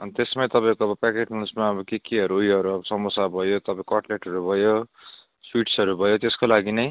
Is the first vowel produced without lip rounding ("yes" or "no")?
yes